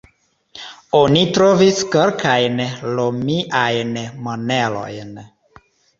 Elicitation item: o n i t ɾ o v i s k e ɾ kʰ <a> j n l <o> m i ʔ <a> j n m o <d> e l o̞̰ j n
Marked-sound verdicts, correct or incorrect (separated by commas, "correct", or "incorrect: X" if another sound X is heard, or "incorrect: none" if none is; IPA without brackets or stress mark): correct, correct, correct, incorrect: n